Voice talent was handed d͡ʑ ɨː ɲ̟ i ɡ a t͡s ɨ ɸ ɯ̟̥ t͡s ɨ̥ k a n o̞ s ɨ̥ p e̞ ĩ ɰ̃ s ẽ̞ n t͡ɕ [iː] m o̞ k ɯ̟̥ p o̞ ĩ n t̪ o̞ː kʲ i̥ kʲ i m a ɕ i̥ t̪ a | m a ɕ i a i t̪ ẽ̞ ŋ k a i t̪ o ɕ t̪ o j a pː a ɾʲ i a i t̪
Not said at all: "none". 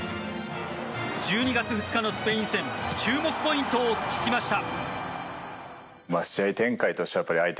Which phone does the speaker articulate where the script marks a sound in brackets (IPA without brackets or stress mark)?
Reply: ɨː